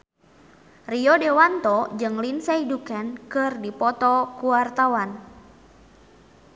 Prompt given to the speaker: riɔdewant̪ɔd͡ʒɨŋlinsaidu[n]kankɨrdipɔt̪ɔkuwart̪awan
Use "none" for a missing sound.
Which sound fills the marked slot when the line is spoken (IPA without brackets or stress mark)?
none